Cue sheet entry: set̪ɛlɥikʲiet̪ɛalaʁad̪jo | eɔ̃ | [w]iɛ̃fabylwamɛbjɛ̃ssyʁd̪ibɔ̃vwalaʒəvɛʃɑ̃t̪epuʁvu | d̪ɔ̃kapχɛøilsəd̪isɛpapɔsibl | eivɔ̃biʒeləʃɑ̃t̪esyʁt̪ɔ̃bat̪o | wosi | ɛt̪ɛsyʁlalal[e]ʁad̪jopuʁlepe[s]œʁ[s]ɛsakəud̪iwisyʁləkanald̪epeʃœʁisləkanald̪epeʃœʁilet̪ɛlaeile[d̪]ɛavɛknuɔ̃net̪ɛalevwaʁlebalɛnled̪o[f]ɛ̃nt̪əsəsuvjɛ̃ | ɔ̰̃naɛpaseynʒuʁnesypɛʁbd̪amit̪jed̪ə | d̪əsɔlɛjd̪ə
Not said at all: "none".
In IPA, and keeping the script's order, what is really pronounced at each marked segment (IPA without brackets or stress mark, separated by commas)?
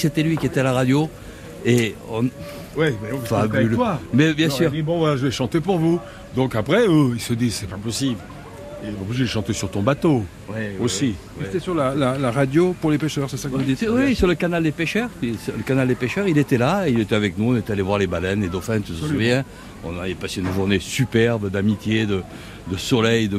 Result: w, a, ʃ, s, t̪, f